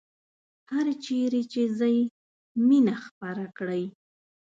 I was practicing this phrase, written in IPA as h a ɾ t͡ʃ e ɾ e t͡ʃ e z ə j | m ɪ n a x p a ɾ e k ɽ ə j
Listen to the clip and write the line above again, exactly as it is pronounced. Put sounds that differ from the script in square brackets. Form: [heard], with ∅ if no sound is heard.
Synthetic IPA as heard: h a ɾ t͡ʃ e ɾ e t͡ʃ e z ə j | m [i] n a x p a ɾ [a] k ɽ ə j